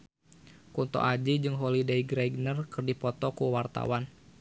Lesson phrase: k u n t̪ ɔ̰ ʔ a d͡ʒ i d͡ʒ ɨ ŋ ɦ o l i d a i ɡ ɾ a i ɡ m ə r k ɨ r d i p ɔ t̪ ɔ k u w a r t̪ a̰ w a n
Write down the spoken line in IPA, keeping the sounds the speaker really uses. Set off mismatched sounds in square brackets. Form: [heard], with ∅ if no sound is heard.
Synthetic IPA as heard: k u n t̪ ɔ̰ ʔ a d͡ʒ i d͡ʒ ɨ ŋ ɦ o l i d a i ɡ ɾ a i ɡ [n] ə r k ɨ r d i p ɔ t̪ ɔ k u w a r t̪ a̰ w a n